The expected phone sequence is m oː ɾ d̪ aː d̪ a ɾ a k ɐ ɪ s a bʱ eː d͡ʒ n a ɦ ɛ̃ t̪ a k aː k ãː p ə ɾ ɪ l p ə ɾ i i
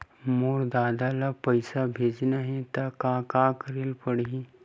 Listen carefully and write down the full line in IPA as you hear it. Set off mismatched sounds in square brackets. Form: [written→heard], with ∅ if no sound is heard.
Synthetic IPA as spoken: m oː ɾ d̪ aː d̪ a [ɾ→l] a [k→p] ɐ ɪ s a bʱ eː d͡ʒ n a ɦ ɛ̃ t̪ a k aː k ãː [p→k] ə ɾ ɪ l p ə [ɾ→ɽ] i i